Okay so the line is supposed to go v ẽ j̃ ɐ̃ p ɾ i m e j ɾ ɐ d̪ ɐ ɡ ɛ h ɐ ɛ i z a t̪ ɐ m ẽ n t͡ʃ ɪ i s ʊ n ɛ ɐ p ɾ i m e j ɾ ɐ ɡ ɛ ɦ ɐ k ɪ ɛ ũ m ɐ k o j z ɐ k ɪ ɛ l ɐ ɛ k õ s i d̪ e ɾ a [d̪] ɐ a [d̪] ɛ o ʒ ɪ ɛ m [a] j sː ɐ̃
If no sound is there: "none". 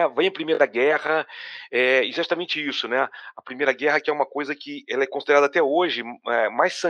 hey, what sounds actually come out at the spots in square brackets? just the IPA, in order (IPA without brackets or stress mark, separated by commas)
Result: d̪, t̪, a